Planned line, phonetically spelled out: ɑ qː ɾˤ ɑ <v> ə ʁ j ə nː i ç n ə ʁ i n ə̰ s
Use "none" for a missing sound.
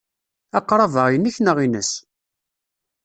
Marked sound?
v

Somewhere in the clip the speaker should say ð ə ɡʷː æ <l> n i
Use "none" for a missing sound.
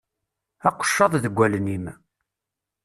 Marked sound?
l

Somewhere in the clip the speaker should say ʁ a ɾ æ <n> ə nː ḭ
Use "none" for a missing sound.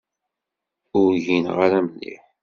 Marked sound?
m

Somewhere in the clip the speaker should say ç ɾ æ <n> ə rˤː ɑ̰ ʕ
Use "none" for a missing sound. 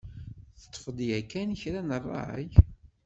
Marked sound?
n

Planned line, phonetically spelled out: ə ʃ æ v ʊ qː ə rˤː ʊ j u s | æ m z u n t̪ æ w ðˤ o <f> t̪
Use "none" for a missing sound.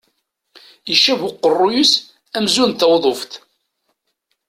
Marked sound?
f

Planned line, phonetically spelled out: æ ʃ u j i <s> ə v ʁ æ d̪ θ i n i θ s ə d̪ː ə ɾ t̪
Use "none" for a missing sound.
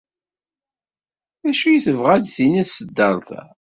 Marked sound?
θ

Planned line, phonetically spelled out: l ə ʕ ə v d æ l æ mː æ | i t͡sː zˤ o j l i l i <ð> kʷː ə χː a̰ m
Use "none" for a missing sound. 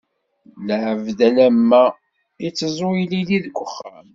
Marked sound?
ð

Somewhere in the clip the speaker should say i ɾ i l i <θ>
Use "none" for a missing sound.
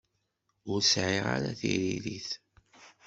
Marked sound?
θ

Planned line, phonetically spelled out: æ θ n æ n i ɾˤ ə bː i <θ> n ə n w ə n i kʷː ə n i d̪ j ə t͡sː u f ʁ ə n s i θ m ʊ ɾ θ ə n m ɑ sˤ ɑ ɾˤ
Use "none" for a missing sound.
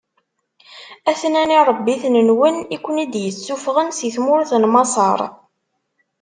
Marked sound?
θ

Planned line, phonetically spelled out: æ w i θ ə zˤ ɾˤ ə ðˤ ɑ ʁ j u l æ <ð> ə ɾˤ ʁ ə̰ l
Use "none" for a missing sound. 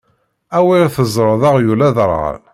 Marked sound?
ð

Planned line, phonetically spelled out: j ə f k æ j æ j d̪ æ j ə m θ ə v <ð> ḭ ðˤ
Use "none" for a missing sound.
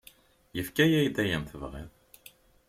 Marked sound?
ʁ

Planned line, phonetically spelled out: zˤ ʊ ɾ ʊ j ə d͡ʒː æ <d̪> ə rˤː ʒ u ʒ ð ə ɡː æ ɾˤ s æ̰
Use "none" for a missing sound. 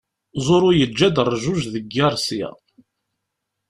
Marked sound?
d̪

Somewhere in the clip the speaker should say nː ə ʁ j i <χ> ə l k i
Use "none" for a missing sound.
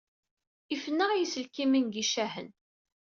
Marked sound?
s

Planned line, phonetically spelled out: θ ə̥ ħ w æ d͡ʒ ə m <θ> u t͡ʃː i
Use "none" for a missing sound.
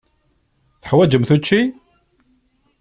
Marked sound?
θ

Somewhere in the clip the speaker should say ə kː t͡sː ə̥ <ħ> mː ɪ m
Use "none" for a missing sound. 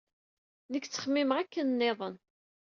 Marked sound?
χ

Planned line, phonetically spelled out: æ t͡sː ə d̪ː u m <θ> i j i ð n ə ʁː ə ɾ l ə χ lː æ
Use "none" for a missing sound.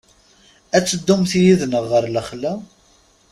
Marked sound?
θ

